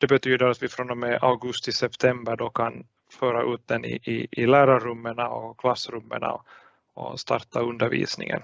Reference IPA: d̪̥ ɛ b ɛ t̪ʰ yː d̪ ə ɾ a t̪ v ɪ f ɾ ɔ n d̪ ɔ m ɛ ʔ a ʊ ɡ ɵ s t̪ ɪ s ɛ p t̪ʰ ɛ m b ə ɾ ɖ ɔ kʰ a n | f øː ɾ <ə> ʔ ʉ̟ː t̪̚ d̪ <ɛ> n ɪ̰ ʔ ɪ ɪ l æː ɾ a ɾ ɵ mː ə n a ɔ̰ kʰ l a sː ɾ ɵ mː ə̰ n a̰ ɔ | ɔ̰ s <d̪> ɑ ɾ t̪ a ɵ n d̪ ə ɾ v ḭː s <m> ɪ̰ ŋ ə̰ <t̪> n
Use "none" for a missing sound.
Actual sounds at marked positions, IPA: a, ɛ, t̪, n, none

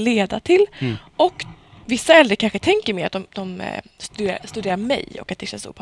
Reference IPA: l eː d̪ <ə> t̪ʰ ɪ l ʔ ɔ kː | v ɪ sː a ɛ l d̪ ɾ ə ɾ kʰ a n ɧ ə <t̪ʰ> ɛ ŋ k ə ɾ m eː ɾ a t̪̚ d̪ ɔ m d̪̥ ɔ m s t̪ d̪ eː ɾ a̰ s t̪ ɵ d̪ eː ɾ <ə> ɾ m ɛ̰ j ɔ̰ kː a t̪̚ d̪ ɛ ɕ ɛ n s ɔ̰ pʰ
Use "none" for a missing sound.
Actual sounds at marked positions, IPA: a, t̪ʰ, a

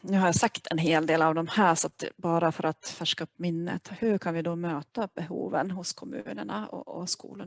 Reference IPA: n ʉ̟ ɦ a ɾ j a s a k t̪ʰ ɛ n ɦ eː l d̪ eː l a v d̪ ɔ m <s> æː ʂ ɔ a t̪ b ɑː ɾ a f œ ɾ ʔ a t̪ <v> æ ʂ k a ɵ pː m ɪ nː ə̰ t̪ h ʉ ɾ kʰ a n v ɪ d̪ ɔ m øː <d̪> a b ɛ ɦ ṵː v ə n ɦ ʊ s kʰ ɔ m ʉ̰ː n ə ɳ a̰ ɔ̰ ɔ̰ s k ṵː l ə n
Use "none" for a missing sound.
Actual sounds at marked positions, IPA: h, f, t̪

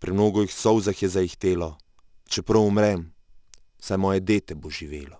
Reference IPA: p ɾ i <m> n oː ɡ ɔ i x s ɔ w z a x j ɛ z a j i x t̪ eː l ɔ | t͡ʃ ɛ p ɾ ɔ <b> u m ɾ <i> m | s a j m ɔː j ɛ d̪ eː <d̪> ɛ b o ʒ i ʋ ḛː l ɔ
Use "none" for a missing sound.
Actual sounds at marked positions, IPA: m, w, ɛ, t̪

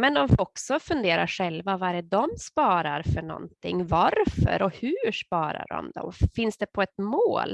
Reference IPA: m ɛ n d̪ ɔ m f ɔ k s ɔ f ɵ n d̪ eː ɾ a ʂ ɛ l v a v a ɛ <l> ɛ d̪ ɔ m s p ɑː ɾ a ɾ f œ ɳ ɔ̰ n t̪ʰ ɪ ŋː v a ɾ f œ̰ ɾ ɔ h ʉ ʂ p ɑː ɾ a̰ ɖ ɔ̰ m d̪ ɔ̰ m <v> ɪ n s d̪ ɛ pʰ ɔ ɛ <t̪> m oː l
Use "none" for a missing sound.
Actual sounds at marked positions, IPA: ɾ, f, t̪

